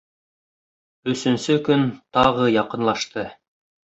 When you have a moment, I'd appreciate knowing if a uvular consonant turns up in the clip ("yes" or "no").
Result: yes